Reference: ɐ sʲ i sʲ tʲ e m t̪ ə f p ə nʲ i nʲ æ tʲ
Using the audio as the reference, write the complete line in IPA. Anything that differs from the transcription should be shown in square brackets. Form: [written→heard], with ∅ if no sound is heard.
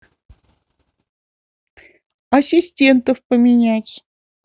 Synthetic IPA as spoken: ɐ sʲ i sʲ tʲ e [m→n] t̪ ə f p ə [nʲ→mʲ] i nʲ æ tʲ